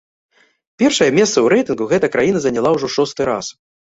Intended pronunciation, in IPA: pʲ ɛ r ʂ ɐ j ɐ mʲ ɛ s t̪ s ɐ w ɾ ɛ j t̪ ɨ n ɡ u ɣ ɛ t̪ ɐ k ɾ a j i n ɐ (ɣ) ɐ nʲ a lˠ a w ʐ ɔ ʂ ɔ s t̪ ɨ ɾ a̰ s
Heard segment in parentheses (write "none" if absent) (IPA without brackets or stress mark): z